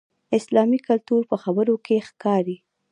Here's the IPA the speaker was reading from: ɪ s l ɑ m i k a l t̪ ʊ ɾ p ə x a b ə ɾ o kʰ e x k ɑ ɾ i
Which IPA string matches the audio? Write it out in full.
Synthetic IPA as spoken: ɪ s l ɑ m i k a l t̪ u ɾ p ə x a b ə ɾ o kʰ e x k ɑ ɾ i